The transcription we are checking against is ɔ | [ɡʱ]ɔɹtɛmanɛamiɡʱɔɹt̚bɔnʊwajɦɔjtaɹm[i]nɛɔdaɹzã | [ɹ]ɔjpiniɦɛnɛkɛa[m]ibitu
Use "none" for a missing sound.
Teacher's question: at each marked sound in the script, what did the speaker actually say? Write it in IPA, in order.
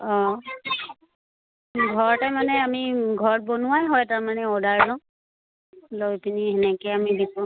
ɡʱ, a, l, m

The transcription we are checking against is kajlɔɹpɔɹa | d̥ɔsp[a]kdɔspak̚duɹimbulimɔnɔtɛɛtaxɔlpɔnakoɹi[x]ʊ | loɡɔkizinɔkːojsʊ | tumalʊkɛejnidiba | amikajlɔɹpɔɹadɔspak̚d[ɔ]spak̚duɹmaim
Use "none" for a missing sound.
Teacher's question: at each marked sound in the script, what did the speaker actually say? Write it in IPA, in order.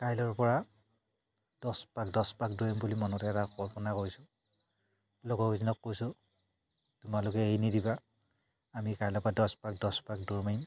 a, s, ɔ

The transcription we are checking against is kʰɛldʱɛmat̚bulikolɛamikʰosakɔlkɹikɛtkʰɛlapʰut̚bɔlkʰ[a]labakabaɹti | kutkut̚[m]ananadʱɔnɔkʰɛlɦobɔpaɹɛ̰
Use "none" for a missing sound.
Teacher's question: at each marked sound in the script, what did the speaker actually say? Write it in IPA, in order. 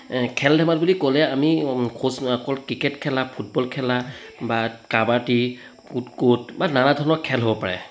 ɛ, b

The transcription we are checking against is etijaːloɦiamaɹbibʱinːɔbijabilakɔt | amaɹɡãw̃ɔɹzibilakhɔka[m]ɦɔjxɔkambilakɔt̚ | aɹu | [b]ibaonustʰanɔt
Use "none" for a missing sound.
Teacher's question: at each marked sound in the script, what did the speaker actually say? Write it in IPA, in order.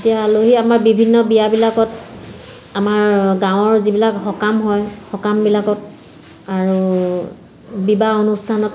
m, b

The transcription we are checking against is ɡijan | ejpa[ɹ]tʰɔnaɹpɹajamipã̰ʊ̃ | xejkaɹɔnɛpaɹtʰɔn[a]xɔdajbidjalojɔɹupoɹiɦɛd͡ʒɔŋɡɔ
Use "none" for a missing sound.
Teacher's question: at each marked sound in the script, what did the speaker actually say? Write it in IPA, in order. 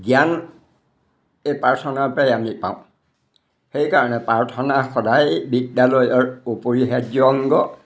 ɹ, a

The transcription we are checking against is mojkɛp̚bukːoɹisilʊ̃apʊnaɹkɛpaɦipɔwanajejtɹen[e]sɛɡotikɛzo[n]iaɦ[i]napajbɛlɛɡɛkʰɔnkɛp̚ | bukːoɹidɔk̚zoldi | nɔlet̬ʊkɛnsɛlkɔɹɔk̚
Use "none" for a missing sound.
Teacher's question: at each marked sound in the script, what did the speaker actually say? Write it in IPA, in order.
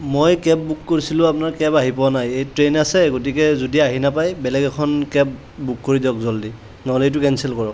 a, d, i

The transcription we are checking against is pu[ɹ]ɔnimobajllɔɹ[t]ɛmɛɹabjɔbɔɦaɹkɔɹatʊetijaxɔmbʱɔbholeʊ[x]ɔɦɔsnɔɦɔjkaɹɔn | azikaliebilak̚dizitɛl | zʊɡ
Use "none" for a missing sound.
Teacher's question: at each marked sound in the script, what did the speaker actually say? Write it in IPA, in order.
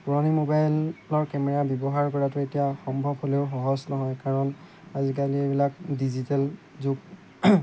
ɹ, k, x

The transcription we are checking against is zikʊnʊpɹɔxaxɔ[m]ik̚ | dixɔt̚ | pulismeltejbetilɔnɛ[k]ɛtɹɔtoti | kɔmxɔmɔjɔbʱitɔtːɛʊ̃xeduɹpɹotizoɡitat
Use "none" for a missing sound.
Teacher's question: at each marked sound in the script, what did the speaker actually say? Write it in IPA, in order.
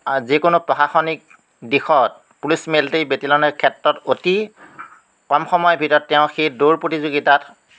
n, kʰ

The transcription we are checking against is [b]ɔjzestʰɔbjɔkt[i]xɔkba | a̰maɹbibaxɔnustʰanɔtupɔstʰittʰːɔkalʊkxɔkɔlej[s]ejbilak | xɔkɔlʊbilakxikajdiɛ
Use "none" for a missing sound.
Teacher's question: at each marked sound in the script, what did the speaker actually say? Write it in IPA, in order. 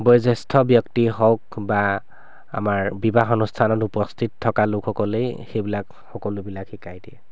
b, i, x

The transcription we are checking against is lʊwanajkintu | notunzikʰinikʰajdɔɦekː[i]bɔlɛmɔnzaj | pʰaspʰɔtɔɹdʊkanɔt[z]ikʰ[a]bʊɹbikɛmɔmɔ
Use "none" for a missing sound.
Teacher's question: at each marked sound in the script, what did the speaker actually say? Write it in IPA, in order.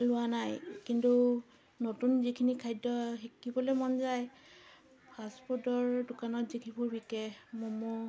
i, z, i

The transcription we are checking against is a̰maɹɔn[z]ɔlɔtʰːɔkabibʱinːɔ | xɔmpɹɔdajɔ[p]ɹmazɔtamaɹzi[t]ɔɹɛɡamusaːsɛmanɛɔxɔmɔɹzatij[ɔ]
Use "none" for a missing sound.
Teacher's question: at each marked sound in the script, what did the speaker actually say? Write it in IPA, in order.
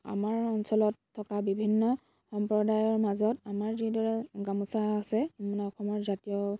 s, none, d, ɔ

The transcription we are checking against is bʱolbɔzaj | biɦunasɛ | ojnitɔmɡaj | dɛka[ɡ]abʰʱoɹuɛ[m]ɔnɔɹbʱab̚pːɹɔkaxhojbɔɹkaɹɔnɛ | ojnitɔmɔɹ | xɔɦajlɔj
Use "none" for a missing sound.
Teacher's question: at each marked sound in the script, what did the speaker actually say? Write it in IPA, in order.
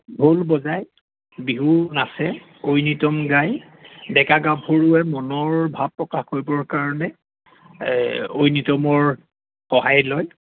ɡ, m

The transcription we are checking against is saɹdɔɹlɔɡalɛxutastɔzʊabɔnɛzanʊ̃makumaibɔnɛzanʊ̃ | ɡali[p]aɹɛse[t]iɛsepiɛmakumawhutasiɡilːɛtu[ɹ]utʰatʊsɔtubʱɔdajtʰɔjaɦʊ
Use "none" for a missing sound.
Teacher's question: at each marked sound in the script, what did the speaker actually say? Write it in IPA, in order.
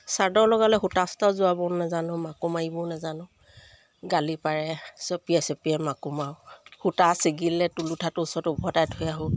p, p, l

